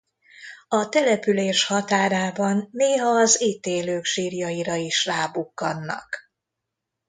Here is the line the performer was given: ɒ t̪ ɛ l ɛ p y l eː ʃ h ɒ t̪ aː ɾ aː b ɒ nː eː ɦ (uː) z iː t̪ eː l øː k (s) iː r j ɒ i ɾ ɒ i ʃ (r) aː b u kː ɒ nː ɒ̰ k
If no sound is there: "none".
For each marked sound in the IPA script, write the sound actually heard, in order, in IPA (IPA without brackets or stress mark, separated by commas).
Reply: ɒː, ʃ, r